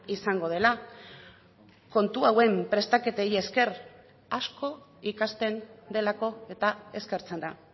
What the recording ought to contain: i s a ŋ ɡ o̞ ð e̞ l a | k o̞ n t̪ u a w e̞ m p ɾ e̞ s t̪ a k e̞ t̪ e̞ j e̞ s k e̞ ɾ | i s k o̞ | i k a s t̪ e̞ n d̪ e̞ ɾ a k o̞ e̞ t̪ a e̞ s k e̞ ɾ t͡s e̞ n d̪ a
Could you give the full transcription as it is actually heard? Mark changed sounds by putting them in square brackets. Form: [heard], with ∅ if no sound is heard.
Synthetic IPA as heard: i s a ŋ ɡ o̞ ð e̞ l a | k o̞ n t̪ u a w e̞ m p ɾ e̞ s t̪ a k e̞ t̪ e̞ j e̞ s k e̞ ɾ | [a] s k o̞ | i k a s t̪ e̞ n d̪ e̞ [l] a k o̞ e̞ t̪ a e̞ s k e̞ ɾ t͡s e̞ n d̪ a